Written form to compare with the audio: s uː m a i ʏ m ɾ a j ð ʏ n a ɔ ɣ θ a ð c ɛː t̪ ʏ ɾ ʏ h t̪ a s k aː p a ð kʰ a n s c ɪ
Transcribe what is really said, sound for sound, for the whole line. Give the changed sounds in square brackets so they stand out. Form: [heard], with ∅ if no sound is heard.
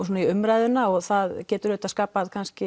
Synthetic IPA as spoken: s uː [n] a i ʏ m ɾ a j ð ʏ n a ɔ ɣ θ a ð c ɛː t̪ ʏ ɾ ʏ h t̪ a s k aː p a ð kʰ a n s c ɪ